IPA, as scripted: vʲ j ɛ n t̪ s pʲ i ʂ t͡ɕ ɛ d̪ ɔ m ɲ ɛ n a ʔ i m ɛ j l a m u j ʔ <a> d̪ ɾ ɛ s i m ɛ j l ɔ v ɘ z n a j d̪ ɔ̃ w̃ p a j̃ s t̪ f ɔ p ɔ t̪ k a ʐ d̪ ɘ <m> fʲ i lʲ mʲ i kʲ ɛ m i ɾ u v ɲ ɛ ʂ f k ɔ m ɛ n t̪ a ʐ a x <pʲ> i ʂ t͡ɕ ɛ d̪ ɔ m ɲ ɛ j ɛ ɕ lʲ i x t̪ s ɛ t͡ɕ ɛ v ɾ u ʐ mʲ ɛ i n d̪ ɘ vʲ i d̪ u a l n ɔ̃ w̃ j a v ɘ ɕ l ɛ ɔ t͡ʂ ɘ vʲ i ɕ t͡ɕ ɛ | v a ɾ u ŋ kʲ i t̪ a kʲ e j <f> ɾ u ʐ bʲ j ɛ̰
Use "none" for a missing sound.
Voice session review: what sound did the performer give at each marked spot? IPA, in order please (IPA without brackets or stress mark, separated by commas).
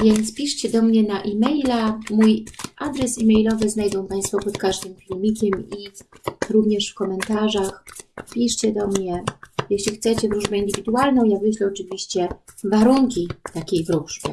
a, m, pʲ, v